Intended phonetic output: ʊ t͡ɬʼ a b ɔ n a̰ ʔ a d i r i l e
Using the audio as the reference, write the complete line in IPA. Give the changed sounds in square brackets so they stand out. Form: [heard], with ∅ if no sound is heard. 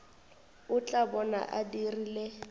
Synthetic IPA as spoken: ʊ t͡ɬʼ a b ɔ n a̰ ʔ a d i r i l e